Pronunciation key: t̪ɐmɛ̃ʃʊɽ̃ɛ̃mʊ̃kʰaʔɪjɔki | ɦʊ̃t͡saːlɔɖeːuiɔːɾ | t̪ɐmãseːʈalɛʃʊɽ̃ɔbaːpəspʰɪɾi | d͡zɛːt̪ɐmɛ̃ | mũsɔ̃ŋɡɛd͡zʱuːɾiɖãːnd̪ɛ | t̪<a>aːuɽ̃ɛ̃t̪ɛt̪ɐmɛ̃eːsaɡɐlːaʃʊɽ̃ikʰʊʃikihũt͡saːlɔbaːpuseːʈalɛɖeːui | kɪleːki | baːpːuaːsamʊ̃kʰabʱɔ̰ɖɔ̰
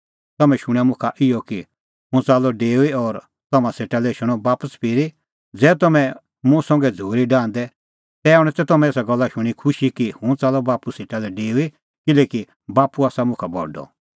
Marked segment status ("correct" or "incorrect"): incorrect